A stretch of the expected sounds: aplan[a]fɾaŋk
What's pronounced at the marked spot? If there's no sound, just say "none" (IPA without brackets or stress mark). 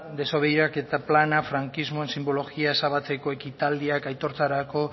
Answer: a